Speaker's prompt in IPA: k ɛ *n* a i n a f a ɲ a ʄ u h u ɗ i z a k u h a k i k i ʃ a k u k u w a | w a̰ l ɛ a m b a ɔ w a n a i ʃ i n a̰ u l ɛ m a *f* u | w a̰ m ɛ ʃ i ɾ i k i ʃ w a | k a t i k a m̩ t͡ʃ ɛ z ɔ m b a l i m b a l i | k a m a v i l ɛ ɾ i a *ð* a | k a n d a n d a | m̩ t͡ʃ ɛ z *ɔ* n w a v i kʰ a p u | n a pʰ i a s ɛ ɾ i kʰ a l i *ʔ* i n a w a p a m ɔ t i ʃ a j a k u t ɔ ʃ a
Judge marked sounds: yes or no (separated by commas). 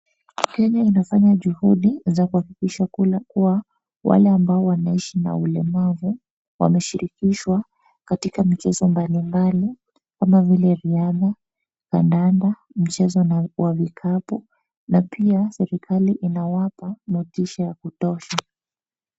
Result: no, no, yes, yes, yes